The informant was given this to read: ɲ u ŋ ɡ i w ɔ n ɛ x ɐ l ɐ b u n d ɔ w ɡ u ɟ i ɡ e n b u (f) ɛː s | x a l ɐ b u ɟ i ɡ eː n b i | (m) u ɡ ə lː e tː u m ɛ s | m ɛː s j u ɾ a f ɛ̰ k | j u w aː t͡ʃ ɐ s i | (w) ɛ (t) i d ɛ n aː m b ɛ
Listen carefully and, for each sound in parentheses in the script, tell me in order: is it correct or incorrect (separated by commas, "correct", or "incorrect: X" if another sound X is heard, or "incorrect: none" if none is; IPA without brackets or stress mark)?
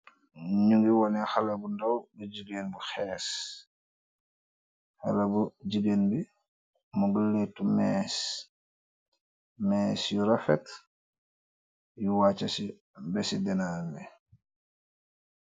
incorrect: x, correct, incorrect: b, incorrect: s